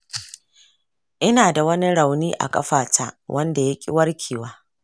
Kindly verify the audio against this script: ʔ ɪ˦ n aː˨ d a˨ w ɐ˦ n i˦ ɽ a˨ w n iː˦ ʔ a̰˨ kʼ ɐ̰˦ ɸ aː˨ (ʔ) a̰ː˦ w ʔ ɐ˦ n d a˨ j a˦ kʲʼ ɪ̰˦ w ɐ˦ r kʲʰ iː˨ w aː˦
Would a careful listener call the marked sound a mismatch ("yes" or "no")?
yes